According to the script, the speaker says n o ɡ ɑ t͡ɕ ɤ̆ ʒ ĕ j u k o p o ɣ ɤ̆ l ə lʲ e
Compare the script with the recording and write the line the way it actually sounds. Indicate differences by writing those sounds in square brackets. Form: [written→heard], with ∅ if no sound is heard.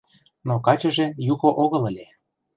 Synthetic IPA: n o [ɡ→k] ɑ t͡ɕ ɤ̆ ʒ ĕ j u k o [p→ʔ] o ɣ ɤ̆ l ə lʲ e